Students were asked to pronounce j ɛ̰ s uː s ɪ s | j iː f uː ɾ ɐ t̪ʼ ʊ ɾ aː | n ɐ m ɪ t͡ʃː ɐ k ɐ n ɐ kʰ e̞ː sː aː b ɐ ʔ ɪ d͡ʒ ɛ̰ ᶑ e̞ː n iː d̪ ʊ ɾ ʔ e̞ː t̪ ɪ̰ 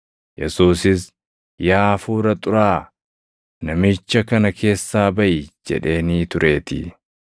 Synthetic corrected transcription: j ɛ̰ s uː s ɪ s | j aː f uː ɾ ɐ t̪ʼ ʊ ɾ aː | n ɐ m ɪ t͡ʃː ɐ k ɐ n ɐ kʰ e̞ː sː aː b ɐ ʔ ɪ d͡ʒ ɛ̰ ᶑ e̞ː n iː t̪ ʊ ɾ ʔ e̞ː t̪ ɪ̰